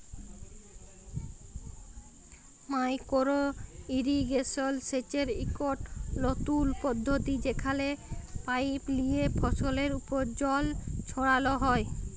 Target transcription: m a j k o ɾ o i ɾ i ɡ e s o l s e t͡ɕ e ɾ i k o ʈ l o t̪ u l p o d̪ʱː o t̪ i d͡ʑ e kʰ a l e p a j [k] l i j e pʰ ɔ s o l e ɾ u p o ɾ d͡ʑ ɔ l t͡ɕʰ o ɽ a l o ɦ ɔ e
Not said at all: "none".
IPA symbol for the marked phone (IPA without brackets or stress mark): p